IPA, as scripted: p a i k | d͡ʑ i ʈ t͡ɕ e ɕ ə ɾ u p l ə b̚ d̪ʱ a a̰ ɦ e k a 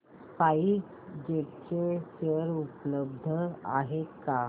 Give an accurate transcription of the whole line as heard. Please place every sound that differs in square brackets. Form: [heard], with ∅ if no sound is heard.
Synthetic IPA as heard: p a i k | d͡ʑ [e] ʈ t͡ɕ e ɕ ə ɾ u p l ə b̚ d̪ʱ [ə] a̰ ɦ e k a